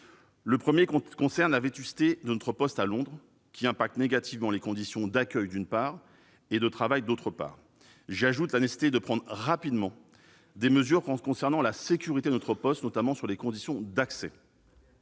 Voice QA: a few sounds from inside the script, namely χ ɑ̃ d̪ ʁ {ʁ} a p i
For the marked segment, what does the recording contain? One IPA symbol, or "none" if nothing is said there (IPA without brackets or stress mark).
ʁ